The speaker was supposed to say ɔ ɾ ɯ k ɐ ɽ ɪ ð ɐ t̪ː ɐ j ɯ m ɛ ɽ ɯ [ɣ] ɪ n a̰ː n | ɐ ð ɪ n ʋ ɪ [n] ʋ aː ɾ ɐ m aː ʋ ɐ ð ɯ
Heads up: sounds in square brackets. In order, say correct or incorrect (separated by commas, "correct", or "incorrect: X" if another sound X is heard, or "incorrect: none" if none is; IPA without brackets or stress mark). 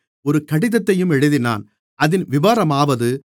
incorrect: ð, incorrect: none